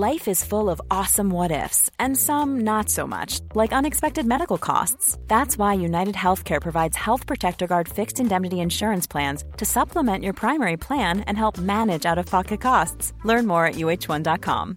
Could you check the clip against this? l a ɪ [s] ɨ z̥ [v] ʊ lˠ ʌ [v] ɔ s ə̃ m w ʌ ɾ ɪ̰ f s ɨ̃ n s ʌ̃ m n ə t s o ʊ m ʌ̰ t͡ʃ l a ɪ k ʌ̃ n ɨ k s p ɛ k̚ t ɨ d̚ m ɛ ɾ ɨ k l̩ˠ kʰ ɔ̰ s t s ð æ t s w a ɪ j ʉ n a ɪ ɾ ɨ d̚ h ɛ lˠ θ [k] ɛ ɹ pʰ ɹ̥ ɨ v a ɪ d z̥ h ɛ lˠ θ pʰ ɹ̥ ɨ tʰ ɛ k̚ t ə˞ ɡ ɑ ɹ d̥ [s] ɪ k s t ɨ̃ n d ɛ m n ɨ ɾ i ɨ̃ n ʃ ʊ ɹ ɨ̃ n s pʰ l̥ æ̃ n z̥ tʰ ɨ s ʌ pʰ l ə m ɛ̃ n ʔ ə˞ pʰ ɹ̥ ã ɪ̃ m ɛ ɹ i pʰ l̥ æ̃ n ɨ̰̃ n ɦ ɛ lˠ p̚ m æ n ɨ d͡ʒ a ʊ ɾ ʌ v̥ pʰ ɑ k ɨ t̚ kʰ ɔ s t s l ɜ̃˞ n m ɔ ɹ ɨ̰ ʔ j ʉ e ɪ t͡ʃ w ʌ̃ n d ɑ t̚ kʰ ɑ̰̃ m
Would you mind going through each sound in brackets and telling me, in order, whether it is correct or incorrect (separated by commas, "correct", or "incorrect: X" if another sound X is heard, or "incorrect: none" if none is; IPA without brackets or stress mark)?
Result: incorrect: f, incorrect: f, correct, incorrect: kʰ, incorrect: f